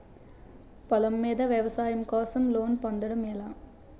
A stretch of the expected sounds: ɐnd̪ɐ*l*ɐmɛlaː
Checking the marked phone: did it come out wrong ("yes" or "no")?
yes